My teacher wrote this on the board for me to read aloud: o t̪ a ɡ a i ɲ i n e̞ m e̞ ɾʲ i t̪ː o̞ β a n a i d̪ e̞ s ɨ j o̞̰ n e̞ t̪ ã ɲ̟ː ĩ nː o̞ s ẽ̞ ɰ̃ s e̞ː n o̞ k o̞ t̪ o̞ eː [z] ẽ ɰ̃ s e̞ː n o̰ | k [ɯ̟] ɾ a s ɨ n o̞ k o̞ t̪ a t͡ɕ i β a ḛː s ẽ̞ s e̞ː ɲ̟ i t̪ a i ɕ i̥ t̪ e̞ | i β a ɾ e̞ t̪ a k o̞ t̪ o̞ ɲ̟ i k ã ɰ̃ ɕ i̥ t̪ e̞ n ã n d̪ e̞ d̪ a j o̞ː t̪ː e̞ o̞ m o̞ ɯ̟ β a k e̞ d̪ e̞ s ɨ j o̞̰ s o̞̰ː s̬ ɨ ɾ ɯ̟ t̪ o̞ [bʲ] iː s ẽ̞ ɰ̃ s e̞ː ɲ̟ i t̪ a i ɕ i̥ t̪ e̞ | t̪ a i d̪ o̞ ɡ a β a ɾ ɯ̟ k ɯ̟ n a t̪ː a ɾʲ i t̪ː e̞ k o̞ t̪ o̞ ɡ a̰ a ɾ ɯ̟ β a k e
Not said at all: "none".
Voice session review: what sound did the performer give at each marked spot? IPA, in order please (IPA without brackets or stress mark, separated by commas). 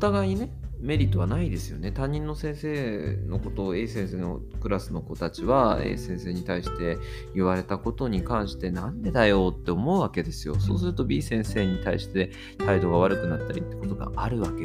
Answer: s, ɯ̟, bʲ